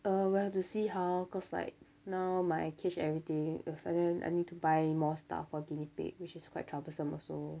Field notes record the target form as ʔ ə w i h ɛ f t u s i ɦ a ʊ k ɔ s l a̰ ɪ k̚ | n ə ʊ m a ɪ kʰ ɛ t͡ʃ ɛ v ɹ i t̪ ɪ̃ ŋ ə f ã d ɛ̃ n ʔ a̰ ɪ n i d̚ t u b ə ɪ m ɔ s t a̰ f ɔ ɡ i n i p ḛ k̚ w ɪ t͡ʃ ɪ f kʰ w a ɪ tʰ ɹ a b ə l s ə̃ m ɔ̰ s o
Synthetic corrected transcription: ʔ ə w i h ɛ f t u s i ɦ a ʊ k ɔ s l a̰ ɪ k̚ | n a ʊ m a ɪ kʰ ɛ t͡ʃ ɛ v ɹ i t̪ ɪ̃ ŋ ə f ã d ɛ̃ n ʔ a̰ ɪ n i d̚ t u b a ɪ m ɔ s t a̰ f ɔ ɡ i n i p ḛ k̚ w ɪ t͡ʃ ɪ s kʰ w a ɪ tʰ ɹ a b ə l s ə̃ m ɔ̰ s o